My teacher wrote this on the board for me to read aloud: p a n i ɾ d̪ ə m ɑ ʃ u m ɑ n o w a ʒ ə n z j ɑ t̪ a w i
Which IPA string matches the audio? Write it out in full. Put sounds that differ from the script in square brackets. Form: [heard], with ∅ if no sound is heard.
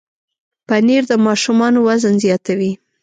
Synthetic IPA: p a n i ɾ d̪ ə m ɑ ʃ u m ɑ n o w a [z] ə n z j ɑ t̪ a w i

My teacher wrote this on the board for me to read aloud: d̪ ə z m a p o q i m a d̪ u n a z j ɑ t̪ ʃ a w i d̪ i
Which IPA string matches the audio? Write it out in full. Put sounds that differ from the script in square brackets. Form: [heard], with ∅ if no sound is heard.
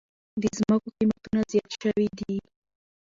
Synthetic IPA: d̪ ə z m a [k] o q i m a [t̪] u n a z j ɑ t̪ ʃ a w i d̪ i

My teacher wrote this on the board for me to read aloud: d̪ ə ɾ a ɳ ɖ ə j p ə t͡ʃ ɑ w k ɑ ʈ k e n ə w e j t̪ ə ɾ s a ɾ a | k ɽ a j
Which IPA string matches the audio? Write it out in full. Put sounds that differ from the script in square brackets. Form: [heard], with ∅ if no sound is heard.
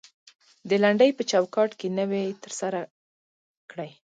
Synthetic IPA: d̪ ə [l] a ɳ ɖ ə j p ə t͡ʃ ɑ w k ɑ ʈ k e n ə w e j t̪ ə ɾ s a ɾ a | k ɽ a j

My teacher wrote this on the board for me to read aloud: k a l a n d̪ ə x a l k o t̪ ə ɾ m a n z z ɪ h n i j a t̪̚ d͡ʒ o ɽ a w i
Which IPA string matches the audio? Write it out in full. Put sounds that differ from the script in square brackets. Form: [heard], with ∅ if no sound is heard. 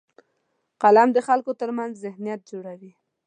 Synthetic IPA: [q] a l a [m] d̪ ə x a l k o t̪ ə ɾ m a n z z ɪ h n i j a t̪̚ d͡ʒ o ɽ a w i

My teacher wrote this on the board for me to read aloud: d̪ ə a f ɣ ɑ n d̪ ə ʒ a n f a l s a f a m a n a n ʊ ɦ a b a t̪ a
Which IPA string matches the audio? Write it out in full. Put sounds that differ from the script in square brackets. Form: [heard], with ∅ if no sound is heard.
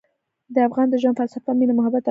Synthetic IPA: d̪ ə a f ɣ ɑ n d̪ ə ʒ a n f a l s a f a m [i] n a [m] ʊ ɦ a b a t̪ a

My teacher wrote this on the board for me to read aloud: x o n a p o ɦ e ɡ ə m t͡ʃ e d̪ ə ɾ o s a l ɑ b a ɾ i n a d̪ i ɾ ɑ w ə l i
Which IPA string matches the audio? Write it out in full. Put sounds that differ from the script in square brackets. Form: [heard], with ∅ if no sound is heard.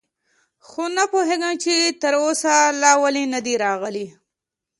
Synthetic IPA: x o n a p o ɦ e ɡ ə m t͡ʃ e [t̪] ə ɾ o s a l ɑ [w] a [l] i n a d̪ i ɾ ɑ [ɣ] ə l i

